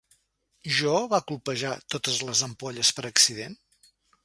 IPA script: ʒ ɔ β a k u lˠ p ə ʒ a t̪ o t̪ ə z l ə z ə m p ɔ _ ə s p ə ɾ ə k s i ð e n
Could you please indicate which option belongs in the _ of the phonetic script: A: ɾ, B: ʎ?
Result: B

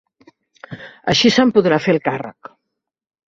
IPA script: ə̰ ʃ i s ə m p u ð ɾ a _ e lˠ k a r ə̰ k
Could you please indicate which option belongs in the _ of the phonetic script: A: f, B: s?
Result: A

